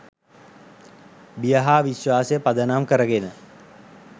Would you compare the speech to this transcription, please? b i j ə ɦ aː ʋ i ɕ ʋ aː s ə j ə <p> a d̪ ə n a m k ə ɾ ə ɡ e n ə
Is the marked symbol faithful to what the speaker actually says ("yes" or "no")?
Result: yes